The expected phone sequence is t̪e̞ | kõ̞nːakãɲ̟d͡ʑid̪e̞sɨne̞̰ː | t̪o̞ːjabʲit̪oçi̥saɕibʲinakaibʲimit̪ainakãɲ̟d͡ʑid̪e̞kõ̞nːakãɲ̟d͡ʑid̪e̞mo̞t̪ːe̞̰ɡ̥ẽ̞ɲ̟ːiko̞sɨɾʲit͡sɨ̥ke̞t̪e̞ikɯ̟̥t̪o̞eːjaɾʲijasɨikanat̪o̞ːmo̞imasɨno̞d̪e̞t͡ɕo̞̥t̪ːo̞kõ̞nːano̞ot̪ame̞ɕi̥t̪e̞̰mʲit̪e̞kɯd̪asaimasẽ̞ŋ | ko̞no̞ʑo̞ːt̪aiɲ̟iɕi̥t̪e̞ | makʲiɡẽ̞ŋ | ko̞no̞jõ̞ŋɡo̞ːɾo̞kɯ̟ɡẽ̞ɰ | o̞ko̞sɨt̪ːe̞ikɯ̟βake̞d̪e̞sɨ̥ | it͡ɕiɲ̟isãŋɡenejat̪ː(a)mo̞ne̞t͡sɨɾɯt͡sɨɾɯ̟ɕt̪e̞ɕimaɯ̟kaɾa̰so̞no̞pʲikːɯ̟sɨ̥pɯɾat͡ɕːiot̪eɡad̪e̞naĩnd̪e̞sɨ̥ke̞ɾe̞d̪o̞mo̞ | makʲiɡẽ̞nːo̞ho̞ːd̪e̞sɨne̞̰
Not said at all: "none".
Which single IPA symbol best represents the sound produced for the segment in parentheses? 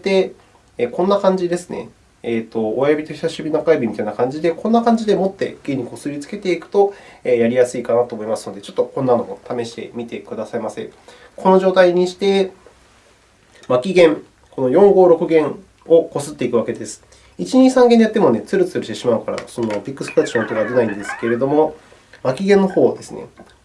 e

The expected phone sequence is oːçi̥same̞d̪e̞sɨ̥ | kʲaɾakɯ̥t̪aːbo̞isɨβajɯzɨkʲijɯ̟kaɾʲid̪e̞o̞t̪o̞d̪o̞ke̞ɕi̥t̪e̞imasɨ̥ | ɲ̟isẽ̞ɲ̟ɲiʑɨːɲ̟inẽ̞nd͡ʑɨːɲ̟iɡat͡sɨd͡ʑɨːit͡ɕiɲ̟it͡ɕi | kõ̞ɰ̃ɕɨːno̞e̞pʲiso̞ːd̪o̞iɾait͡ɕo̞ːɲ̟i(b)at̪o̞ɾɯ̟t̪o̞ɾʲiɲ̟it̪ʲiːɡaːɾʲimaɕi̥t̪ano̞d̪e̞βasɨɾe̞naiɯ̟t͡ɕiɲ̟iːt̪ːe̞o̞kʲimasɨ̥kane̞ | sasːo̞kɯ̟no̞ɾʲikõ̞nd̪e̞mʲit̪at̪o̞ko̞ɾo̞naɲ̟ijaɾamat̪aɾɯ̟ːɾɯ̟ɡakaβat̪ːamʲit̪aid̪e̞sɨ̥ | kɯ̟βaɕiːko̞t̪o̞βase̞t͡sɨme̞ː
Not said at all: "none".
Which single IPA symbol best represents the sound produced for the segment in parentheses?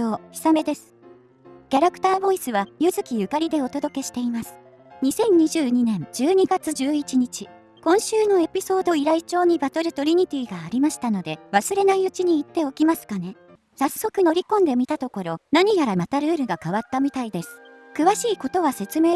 b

